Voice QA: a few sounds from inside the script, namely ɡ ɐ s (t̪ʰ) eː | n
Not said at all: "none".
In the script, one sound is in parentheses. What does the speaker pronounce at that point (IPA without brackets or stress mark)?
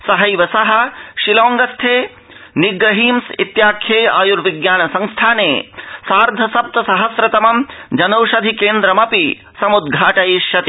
t̪ʰ